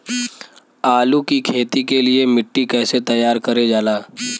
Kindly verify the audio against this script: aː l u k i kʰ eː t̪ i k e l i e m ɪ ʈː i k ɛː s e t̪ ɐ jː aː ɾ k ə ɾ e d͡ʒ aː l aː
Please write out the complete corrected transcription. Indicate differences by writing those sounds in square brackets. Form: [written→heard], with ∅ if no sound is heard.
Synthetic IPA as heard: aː l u k i kʰ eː t̪ i k e l i e m ɪ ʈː i k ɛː s e t̪ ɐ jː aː ɾ k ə ɾ e d͡ʒ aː l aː